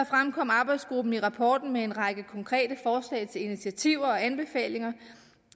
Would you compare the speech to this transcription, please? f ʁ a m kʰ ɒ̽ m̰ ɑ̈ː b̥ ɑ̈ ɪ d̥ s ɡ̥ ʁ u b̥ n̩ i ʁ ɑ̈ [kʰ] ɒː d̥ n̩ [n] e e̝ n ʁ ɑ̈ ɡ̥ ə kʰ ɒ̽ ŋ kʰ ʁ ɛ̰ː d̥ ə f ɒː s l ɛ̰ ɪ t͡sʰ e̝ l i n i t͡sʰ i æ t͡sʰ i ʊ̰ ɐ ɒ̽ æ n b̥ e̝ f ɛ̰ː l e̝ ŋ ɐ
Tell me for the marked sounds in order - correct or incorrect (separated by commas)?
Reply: incorrect, incorrect